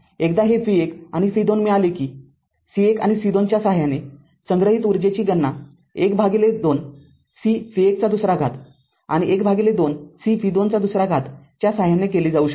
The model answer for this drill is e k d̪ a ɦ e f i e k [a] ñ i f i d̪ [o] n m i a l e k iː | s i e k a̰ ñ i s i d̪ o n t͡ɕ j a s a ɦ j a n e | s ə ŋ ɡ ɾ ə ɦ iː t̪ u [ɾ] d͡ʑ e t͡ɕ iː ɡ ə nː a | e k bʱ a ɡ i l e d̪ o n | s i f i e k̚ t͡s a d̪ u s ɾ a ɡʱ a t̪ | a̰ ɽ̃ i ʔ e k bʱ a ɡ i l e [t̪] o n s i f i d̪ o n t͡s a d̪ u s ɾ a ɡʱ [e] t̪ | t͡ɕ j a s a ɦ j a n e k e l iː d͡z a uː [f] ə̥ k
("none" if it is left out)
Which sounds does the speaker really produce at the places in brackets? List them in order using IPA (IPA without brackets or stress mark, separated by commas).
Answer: a, o, ɾ, d̪, a, ɕ